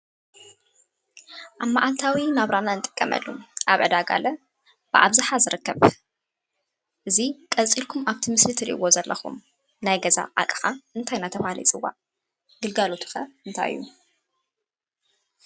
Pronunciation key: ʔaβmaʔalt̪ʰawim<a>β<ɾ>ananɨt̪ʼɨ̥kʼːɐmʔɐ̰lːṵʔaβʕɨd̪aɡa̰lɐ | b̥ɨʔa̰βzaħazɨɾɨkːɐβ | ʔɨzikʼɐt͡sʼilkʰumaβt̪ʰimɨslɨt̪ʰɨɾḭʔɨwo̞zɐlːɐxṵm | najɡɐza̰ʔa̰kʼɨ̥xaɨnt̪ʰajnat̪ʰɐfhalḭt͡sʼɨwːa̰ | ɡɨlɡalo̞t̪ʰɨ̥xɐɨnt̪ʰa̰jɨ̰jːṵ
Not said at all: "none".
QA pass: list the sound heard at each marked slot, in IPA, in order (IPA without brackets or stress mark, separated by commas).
a, ɾ